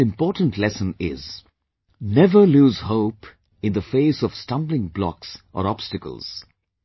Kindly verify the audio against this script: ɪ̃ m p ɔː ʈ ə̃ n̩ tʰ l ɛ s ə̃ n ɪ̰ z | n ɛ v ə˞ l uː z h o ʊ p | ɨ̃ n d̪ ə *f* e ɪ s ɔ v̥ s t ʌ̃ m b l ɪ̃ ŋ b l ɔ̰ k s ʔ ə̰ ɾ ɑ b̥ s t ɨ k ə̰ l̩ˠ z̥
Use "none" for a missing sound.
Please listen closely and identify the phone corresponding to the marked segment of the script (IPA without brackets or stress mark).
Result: f